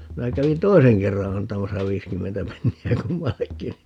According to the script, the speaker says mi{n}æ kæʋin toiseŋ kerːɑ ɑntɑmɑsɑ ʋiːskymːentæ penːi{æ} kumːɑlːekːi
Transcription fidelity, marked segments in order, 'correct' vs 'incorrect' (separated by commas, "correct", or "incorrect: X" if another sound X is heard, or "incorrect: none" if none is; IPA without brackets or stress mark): correct, correct